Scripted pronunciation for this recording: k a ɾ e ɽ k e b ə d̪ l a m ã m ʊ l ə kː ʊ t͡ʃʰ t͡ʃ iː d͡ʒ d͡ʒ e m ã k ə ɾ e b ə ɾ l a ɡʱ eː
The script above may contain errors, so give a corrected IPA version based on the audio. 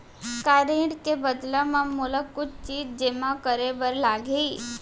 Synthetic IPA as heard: k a ɾ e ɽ k e b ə d̪ l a m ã m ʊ l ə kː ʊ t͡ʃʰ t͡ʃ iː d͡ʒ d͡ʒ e m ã k ə ɾ e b ə ɾ l a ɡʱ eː

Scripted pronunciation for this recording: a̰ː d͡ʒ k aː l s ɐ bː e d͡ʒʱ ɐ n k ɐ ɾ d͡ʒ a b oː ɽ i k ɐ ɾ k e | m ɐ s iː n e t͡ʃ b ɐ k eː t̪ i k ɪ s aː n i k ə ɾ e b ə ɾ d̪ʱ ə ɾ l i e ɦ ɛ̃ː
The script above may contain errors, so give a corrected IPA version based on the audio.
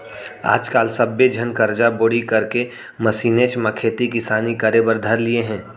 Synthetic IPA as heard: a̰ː d͡ʒ k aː l s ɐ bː e d͡ʒʱ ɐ n k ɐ ɾ d͡ʒ a b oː ɽ i k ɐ ɾ k e | m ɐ s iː n e t͡ʃ m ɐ kʰ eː t̪ i k ɪ s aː n i k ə ɾ e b ə ɾ d̪ʱ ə ɾ l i e ɦ ɛ̃ː

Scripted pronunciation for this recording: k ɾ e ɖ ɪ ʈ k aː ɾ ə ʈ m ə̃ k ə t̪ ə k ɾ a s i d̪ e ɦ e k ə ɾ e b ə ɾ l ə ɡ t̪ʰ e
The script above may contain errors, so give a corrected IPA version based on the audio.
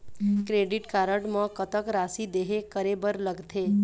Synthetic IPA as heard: k ɾ e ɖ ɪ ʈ k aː ɾ ə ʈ m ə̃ k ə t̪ ə k ɾ a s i d̪ e ɦ e k ə ɾ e b ə ɾ l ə ɡ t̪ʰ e

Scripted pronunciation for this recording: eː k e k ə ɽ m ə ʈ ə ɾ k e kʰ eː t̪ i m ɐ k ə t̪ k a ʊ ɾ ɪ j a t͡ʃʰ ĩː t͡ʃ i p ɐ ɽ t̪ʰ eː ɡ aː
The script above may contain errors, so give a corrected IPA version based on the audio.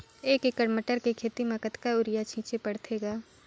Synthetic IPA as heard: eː k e k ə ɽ m ə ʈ ə ɾ k e kʰ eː t̪ i m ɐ k ə t̪ k a ʊ ɾ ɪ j a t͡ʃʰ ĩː t͡ʃ e p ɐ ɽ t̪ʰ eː ɡ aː

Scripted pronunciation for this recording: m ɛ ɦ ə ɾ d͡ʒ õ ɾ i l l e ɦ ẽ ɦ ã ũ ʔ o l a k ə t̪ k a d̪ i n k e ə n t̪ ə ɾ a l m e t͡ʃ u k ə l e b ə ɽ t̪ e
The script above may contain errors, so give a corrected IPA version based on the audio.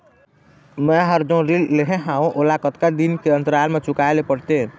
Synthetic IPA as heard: m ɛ ɦ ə ɾ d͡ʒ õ ɾ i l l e ɦ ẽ ɦ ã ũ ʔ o l a k ə t̪ k a d̪ i n k e ə n t̪ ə ɾ a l m e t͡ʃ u k a l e p ə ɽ t̪ e

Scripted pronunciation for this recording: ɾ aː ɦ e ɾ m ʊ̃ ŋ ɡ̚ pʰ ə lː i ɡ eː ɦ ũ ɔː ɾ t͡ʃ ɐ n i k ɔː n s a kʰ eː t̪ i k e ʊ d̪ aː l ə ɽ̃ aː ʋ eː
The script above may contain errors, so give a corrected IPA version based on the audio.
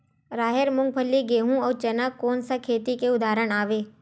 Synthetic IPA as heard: ɾ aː ɦ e ɾ m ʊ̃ ŋ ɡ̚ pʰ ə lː i ɡ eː ɦ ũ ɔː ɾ t͡ʃ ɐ n a k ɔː n s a kʰ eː t̪ i k e ʊ d̪ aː ɾ ə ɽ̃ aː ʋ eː

